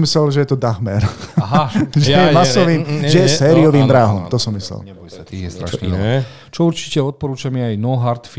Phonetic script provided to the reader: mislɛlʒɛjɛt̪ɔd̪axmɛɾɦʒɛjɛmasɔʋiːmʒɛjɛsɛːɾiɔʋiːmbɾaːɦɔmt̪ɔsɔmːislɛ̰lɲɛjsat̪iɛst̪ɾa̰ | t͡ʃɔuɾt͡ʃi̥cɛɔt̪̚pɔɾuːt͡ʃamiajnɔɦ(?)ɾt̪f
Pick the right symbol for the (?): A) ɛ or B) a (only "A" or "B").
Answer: B